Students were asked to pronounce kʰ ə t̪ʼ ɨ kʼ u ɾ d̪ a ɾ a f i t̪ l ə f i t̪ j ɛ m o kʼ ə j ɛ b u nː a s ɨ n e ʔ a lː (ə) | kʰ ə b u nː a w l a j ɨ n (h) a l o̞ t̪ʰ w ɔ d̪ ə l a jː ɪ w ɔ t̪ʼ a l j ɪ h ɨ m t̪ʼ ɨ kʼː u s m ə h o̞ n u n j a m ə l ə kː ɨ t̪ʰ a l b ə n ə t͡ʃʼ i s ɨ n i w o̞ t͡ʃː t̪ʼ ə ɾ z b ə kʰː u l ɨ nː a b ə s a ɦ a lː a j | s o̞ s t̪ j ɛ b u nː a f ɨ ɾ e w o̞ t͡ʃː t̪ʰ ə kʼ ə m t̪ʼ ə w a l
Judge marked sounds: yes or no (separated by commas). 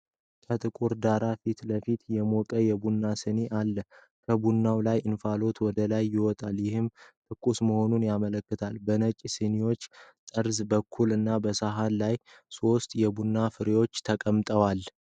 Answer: yes, no